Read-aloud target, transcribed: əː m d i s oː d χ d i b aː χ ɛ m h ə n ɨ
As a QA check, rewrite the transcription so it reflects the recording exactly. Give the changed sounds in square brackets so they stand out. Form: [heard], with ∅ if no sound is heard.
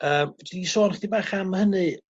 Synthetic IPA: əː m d i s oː [n] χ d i b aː χ [a] m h ə n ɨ